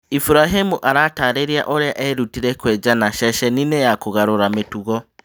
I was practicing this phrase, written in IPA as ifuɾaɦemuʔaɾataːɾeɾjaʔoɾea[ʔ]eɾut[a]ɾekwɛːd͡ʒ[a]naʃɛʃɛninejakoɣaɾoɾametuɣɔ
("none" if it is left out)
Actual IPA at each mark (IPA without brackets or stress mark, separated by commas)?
ʔ, i, a